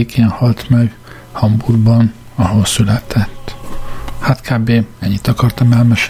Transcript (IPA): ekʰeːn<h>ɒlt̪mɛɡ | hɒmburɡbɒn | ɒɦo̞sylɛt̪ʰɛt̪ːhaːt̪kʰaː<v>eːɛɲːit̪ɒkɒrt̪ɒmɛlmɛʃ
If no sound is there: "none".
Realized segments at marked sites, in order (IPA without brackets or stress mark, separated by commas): h, b